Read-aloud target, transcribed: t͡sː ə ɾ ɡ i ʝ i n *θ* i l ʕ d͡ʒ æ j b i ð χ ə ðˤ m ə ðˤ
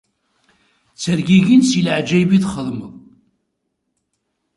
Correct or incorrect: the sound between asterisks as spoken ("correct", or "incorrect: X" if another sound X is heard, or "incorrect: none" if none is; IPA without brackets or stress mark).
incorrect: s